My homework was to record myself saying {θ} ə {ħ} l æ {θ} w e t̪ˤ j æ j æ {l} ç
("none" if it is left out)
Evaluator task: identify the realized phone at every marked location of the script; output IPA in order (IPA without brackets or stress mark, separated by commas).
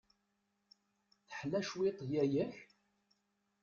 θ, ħ, ʃ, none